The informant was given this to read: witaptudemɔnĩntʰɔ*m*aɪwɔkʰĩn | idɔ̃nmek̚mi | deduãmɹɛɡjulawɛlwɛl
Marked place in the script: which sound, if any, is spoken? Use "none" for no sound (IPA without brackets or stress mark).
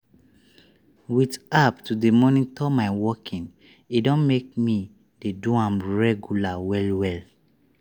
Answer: m